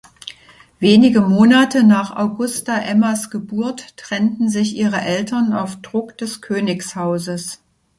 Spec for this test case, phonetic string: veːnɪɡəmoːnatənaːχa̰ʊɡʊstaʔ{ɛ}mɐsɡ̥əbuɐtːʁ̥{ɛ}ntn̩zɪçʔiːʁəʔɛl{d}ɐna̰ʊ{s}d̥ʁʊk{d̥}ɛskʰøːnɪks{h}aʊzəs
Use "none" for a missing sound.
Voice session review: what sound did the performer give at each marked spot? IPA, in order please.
ɛ, ɛ, t, f, d̥, h

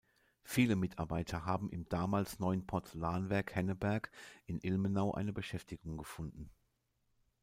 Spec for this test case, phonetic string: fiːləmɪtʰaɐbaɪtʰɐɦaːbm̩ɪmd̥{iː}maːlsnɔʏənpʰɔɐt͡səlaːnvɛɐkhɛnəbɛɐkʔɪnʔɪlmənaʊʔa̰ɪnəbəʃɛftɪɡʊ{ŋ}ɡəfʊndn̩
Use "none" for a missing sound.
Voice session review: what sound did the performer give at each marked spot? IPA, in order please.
aː, ŋ

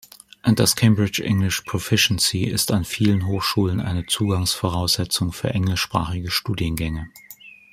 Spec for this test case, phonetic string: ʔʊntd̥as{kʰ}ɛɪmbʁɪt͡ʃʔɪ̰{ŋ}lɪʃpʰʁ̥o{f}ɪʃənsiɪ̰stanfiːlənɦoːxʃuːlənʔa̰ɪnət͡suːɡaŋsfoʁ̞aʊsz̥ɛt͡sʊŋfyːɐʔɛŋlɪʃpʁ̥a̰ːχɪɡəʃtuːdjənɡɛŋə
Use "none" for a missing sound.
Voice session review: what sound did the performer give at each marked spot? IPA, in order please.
kʰ, ŋ, f

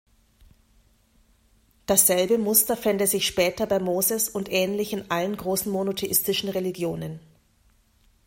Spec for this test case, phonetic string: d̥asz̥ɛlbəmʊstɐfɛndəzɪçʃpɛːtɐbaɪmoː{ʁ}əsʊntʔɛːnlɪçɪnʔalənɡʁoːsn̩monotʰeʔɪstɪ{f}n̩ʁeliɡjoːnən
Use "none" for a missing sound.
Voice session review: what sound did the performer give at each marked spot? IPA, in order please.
z, ʃ

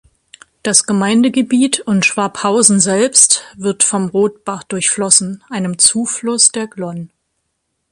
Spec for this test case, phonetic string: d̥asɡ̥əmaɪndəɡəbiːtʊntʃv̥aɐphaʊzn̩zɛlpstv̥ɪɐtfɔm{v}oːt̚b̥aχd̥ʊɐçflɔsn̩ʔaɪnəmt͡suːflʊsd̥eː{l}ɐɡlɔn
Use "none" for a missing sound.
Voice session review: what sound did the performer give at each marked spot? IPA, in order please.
ʁ, none

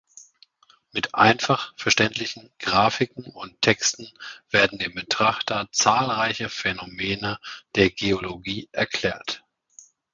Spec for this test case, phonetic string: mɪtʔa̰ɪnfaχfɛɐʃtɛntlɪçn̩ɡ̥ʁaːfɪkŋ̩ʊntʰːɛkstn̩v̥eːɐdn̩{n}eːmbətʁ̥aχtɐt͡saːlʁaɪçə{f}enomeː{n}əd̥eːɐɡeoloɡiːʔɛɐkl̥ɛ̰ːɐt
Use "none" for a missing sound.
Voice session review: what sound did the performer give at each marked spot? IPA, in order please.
d, f, n

